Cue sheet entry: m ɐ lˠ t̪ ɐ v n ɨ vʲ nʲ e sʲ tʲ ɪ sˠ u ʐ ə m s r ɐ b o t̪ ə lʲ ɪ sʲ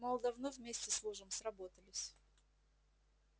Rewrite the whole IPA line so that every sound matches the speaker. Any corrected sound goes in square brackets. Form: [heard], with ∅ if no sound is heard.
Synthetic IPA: m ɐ lˠ [d̪] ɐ v n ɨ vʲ [mʲ] e sʲ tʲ ɪ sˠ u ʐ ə m s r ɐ b o t̪ ə lʲ ɪ sʲ